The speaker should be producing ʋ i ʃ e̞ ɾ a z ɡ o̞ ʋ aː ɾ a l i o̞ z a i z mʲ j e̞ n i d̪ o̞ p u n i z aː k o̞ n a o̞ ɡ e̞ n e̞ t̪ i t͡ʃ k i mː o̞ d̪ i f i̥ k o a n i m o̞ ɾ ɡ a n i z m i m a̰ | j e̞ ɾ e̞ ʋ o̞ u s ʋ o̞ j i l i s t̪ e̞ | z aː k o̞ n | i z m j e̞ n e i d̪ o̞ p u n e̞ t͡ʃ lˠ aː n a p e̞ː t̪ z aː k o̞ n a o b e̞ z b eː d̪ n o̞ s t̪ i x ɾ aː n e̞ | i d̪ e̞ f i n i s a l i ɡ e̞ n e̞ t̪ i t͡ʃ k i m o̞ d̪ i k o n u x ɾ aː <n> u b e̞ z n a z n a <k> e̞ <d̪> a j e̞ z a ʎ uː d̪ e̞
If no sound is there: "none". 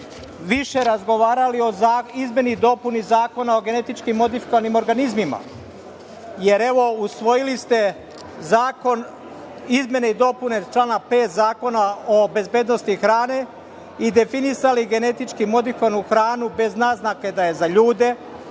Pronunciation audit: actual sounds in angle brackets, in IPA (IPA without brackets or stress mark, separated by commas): n, k, d̪